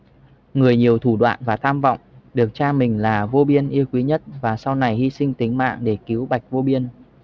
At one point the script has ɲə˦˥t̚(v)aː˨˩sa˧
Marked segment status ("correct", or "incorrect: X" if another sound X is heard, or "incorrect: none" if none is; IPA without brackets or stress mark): correct